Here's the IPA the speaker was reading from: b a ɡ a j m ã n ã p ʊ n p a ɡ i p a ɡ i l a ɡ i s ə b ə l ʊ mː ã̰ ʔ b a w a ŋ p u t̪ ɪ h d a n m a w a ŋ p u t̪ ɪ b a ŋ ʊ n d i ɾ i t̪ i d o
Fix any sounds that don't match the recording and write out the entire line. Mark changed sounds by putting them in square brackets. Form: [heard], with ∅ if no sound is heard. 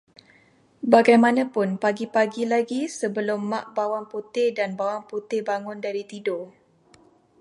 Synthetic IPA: b a ɡ a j m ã n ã p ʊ n p a ɡ i p a ɡ i l a ɡ i s ə b ə l ʊ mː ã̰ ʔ b a w a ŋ p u t̪ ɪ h d a n [b] a w a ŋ p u t̪ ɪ b a ŋ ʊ n d [a] ɾ i t̪ i d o